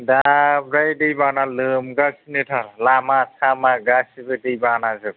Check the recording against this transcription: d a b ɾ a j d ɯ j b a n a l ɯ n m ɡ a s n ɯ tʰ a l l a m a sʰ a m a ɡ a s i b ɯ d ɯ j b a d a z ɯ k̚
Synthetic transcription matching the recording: d a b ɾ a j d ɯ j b a n a l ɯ m ɡ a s n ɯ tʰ a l l a m a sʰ a m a ɡ a s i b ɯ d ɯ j b a n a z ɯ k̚